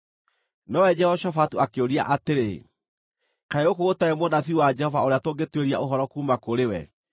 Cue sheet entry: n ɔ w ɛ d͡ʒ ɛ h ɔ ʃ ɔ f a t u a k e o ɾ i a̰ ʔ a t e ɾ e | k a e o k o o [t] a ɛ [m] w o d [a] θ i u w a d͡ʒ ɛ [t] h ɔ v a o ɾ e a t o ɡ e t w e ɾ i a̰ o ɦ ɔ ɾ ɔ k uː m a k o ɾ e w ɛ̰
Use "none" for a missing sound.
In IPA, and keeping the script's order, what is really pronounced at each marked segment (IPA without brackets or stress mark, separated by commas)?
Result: t, m, a, none